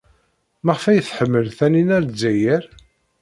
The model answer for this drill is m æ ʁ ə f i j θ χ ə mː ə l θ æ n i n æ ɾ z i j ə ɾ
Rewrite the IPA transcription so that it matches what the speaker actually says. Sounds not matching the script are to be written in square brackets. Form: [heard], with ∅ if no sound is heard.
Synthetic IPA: m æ ʁ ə f [æ] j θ [ħ] ə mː ə l θ æ n i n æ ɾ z [æ] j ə ɾ